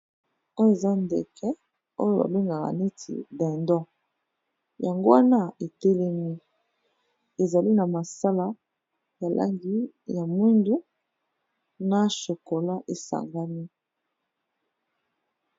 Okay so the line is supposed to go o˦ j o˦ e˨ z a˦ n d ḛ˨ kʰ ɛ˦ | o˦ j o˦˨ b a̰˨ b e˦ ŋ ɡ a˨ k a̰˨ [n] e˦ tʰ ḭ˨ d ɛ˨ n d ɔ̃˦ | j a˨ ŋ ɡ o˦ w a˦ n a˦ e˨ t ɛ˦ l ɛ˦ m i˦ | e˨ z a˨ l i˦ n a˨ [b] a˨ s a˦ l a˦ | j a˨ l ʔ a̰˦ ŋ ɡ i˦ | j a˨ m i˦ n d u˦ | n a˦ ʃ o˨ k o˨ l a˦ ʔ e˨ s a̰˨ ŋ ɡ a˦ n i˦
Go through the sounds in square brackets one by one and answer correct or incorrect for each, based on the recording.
correct, incorrect

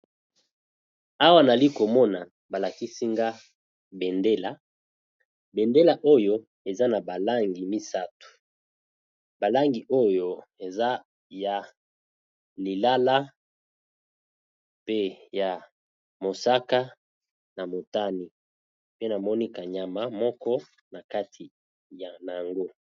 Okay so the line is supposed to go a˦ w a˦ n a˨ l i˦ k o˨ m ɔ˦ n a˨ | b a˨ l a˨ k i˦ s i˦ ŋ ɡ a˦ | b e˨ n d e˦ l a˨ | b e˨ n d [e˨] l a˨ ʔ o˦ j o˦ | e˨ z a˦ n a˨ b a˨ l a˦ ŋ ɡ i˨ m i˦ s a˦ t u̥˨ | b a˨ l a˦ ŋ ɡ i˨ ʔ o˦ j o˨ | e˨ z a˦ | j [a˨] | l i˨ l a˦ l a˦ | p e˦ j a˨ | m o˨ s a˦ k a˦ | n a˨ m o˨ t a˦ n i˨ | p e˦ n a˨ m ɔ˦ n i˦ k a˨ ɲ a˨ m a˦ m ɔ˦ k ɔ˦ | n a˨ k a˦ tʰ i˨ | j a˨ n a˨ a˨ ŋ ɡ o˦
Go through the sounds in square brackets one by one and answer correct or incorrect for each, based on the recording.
incorrect, correct

